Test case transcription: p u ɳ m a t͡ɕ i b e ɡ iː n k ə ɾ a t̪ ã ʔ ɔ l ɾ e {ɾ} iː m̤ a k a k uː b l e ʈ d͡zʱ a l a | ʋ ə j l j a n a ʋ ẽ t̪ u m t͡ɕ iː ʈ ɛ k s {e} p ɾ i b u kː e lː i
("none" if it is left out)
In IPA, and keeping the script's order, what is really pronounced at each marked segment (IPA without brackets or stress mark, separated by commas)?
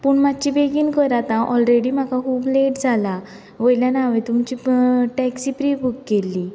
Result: ɽ, i